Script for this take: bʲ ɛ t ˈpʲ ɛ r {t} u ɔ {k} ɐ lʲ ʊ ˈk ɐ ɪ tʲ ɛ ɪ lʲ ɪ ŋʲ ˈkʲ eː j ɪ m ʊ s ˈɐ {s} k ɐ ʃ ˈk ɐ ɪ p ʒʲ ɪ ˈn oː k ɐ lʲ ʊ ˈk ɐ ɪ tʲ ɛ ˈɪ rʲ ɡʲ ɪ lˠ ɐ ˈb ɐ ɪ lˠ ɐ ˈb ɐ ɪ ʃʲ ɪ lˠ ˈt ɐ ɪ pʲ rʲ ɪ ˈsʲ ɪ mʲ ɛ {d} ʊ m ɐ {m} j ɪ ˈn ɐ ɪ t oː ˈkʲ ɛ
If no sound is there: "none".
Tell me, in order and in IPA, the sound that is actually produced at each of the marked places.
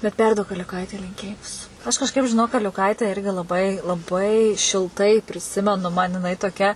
d, k, ʃ, n, n

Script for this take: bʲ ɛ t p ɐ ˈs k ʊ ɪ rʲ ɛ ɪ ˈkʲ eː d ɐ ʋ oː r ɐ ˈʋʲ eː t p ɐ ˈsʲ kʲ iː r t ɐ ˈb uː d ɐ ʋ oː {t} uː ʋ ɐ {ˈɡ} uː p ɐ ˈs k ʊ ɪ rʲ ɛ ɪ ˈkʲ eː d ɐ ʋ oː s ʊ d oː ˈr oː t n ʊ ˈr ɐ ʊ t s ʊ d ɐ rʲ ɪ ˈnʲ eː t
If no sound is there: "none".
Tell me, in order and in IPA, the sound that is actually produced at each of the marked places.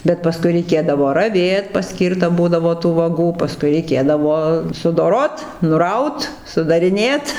t, ɡ

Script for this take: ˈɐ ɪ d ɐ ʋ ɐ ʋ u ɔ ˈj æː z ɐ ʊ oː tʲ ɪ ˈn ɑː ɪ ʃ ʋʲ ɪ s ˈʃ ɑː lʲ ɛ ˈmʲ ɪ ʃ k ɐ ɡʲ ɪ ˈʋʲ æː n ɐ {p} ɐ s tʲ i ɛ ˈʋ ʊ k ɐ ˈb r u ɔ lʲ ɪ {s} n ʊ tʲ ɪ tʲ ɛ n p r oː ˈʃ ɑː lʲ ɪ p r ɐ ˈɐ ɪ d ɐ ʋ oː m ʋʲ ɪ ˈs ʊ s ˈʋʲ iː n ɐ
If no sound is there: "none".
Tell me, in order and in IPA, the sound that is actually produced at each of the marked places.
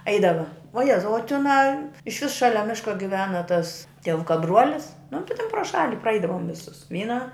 t, s

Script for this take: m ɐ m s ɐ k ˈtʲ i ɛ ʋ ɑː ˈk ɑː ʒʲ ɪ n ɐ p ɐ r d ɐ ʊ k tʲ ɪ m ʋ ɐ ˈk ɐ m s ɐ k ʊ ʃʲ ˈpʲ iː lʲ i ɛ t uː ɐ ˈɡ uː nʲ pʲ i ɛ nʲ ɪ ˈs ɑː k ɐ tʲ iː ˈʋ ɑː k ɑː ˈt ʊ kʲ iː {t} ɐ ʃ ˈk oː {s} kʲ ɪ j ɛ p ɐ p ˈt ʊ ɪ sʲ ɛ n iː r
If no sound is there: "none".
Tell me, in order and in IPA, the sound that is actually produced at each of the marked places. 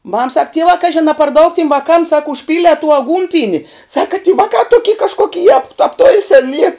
k, none

